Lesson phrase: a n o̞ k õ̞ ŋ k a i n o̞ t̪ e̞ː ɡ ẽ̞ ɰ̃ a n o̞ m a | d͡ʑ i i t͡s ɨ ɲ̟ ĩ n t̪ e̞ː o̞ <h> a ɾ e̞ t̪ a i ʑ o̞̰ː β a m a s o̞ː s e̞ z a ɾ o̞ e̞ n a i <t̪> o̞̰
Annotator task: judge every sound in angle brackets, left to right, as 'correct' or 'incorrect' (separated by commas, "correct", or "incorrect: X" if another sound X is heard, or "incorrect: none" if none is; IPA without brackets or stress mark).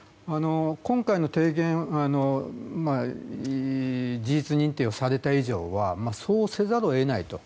incorrect: s, correct